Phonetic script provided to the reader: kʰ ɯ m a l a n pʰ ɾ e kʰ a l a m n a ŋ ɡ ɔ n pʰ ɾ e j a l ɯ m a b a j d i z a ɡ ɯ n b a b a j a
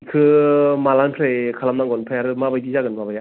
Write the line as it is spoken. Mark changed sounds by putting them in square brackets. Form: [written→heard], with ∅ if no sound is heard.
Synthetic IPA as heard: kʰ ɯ m a l a n pʰ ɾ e kʰ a l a m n a ŋ ɡ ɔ n pʰ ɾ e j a [l→ɾ] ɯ m a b a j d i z a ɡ ɯ n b a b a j a